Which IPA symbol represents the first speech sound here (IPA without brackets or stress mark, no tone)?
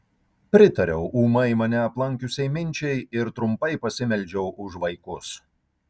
pʲ